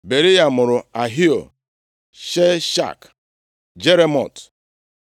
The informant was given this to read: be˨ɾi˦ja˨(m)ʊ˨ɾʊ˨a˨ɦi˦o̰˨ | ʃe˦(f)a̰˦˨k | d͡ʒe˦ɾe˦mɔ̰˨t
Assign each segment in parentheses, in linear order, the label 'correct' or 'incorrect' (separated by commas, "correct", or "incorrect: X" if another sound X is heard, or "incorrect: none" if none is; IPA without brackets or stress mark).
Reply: correct, incorrect: ʃ